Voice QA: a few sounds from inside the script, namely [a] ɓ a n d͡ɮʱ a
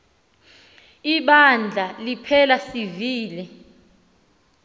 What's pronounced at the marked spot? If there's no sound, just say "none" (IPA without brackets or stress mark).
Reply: i